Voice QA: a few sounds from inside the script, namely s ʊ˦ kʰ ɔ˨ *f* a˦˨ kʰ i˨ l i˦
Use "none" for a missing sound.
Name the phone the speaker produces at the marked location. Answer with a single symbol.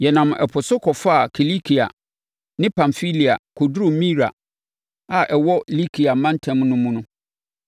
f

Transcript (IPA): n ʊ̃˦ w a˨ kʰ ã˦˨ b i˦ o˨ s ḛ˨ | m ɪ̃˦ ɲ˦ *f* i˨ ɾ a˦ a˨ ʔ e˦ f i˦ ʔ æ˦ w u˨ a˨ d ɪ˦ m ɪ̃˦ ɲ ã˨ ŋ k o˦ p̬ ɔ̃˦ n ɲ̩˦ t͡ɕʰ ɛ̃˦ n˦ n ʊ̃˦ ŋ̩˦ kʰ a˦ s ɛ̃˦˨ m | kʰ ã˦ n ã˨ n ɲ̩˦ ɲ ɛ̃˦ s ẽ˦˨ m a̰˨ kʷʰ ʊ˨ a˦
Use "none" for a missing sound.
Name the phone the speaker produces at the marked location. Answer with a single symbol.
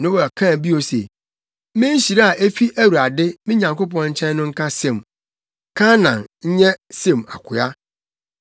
ɕ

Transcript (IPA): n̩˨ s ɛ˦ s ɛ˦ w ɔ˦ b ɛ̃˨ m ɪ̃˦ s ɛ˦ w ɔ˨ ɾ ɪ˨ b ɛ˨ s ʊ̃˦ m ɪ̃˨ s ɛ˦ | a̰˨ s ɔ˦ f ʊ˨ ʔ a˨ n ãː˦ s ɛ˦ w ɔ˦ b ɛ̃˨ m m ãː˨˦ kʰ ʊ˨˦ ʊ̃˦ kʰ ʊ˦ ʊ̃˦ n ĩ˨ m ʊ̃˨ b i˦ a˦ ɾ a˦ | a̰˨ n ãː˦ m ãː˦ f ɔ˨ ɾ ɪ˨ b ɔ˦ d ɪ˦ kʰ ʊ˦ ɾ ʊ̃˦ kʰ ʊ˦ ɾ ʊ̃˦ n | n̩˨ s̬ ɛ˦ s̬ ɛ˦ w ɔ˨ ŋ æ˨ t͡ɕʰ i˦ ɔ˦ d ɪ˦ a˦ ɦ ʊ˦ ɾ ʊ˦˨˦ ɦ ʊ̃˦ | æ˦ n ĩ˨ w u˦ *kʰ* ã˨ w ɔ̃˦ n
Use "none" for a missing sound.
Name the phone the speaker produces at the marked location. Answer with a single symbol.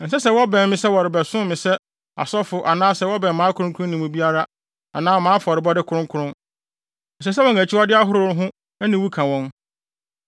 kʰ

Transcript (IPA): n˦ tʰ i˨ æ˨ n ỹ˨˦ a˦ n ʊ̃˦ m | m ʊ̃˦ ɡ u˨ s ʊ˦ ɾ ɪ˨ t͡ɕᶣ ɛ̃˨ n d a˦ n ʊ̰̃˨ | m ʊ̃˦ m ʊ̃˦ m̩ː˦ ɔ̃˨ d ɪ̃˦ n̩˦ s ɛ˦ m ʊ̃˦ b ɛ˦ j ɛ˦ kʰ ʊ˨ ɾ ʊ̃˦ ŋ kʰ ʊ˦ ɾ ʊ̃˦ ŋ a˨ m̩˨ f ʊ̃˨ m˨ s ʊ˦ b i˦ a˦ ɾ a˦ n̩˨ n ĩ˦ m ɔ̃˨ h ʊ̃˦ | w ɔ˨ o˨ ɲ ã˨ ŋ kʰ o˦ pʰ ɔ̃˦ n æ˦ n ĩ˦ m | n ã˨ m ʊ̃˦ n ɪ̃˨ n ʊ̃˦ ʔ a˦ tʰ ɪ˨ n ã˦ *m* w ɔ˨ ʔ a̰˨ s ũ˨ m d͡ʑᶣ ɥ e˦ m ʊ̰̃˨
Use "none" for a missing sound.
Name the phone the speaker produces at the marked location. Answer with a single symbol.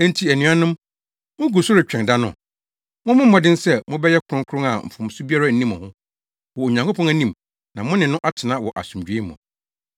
none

